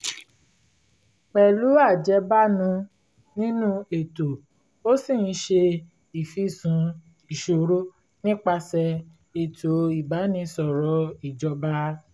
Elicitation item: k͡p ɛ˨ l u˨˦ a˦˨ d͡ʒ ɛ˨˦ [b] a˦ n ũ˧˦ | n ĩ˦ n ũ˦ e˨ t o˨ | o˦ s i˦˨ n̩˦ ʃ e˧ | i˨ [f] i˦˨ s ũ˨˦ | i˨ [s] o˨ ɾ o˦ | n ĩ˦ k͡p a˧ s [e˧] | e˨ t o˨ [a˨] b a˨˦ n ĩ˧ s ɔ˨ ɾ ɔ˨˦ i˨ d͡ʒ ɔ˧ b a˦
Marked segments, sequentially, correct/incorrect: correct, correct, incorrect, incorrect, incorrect

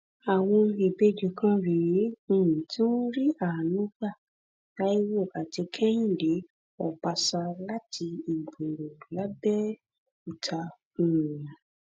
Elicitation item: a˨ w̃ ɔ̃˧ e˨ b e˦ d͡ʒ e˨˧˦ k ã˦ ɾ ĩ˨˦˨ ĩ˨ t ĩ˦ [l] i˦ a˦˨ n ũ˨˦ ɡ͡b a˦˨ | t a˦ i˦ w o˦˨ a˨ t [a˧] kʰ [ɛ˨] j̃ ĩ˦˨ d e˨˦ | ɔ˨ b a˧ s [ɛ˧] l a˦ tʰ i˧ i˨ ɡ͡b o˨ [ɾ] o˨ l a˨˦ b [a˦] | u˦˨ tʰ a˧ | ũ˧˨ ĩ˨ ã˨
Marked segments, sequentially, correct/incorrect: incorrect, incorrect, incorrect, incorrect, correct, incorrect

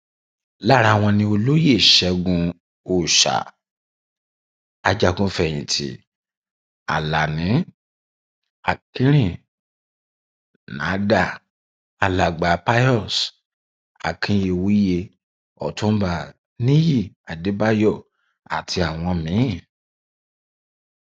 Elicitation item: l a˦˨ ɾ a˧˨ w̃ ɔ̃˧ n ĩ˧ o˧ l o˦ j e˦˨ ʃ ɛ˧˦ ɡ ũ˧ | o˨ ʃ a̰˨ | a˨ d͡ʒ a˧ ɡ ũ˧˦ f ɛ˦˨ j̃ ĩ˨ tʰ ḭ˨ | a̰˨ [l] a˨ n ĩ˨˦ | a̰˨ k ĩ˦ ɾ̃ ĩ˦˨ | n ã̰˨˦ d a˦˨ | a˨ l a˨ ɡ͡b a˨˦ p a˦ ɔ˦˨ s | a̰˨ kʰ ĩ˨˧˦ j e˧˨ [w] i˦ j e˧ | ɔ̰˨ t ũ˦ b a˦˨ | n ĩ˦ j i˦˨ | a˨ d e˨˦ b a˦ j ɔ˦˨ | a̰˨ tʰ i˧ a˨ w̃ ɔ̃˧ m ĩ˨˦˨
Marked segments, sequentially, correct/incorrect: correct, correct

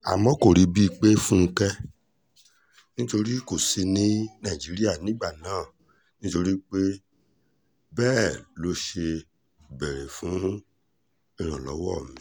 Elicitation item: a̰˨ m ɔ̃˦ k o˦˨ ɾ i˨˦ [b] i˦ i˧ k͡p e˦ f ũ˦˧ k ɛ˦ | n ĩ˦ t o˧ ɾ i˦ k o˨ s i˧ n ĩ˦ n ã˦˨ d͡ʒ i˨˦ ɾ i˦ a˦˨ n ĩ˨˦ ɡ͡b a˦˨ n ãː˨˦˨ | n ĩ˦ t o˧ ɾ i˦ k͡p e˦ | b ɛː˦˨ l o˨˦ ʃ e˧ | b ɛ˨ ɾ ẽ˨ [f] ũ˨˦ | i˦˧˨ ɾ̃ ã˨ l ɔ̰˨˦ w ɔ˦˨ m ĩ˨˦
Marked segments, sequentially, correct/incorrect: correct, correct

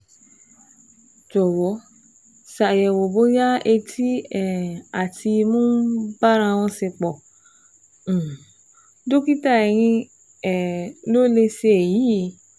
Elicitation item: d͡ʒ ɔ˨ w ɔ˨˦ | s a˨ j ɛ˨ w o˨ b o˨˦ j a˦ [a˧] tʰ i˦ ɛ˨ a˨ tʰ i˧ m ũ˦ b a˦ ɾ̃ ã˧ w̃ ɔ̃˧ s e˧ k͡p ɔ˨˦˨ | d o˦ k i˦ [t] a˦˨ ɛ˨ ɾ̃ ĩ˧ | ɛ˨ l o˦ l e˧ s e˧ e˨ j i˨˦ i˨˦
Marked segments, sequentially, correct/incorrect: incorrect, correct

